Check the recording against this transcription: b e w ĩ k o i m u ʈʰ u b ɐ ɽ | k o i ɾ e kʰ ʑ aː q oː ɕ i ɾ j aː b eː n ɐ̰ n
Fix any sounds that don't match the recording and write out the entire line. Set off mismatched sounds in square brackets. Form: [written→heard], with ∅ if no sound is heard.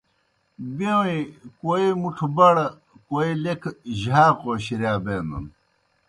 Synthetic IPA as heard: b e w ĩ k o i m u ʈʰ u b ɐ ɽ | k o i [ɾ→l] e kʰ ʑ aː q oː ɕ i ɾ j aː b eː n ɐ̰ n